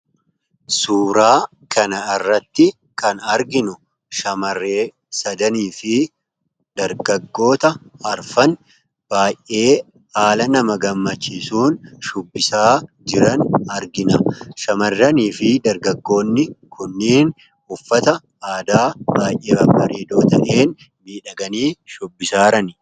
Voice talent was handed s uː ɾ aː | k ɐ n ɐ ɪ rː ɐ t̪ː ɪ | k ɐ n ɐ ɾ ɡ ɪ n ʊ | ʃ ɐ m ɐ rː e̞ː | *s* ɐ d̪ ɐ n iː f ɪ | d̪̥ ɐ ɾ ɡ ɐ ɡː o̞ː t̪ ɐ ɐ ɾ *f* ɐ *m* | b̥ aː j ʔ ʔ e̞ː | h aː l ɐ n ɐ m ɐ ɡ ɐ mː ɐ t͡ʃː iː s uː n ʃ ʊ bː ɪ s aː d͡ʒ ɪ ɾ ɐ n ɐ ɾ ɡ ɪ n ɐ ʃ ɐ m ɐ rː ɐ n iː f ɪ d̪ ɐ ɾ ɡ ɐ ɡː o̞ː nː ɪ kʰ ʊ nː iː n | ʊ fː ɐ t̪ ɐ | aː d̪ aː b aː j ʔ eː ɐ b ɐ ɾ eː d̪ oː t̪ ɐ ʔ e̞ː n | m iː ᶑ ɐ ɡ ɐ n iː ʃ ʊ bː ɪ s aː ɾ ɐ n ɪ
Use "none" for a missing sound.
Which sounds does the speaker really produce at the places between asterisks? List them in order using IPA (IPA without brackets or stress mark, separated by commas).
s, f, n